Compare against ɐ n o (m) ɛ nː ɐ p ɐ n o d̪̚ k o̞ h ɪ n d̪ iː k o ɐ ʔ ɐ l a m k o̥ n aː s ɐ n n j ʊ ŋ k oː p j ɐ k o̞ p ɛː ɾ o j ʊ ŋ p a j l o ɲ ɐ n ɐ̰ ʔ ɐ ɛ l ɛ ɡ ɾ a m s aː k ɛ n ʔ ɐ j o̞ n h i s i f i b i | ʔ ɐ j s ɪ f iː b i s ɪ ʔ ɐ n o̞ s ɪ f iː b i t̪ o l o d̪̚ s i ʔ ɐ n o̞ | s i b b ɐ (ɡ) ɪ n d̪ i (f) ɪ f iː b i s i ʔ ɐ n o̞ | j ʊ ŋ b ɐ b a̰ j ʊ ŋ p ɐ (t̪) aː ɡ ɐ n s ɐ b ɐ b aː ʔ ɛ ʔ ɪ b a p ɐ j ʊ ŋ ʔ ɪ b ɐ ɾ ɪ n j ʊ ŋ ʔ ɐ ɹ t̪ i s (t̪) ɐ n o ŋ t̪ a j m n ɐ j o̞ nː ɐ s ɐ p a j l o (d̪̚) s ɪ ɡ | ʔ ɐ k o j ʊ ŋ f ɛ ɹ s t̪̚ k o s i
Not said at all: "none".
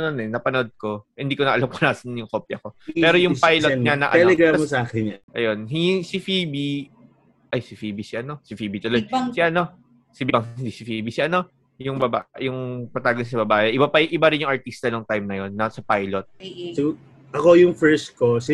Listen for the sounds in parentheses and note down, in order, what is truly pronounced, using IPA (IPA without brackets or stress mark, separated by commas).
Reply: n, ŋ, s, t̪, t̪, t̪̚